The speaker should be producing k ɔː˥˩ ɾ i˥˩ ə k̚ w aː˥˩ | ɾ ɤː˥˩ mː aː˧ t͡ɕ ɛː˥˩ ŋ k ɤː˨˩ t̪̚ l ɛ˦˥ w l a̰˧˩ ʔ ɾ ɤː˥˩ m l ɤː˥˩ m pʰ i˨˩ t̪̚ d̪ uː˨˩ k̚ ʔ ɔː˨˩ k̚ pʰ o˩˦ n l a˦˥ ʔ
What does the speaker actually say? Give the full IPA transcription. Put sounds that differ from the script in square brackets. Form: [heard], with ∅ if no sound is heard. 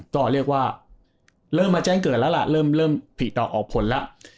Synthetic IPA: k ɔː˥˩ ɾ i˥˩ ə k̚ w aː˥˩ | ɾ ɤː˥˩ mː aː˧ t͡ɕ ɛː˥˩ ŋ k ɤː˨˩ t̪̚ l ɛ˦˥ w l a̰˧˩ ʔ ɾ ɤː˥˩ m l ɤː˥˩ m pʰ i˨˩ t̪̚ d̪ [ɔː˨˩] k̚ ʔ ɔː˨˩ k̚ pʰ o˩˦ n l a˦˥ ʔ

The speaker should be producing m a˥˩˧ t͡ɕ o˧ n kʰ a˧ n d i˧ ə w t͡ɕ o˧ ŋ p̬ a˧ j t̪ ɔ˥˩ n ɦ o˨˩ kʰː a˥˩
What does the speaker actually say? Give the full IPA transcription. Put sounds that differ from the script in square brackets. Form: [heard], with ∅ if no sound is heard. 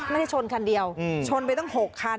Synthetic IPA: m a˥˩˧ [t͡ɕʰ] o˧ n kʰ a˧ n d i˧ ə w [t͡ɕʰ] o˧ [n] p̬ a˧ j t̪ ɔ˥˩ [ŋ] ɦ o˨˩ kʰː [a˧]

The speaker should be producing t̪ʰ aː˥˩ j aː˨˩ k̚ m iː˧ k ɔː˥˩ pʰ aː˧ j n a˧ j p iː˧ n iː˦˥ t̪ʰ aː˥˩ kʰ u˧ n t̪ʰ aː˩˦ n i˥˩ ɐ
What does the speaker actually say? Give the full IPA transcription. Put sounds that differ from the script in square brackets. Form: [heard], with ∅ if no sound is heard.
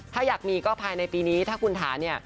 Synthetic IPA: t̪ʰ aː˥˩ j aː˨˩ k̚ m iː˧ k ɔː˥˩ pʰ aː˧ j n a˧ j p iː˧ n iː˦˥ t̪ʰ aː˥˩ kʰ u˧ n t̪ʰ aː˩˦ n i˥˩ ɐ

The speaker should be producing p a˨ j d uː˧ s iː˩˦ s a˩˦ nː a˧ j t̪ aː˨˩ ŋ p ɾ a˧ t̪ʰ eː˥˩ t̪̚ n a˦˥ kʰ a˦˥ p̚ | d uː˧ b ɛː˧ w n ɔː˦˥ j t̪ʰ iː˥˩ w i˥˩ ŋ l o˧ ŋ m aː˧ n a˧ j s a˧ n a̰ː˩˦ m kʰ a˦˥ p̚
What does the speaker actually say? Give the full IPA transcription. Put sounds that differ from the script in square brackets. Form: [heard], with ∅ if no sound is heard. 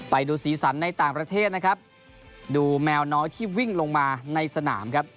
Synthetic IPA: p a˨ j d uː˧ s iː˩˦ s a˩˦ nː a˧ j t̪ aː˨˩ ŋ p ɾ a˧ t̪ʰ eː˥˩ t̪̚ n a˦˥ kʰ a˦˥ p̚ | d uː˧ [m] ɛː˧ w n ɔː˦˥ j t̪ʰ iː˥˩ w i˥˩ ŋ l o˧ ŋ m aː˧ n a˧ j s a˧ n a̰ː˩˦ m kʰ a˦˥ p̚

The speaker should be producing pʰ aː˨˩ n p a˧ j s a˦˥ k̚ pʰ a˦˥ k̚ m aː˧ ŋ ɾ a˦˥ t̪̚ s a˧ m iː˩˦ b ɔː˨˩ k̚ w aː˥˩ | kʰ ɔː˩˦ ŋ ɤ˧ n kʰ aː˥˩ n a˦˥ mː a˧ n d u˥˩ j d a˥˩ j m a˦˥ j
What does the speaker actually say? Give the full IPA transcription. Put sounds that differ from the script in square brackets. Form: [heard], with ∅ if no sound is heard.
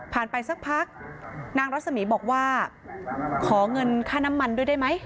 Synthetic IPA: pʰ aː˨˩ n p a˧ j s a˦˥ k̚ pʰ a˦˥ k̚ [n] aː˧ ŋ ɾ a˦˥ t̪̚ s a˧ m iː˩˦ b ɔː˨˩ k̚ w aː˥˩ | kʰ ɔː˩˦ ŋ ɤ˧ n kʰ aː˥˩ n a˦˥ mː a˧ n d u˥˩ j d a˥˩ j m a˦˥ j

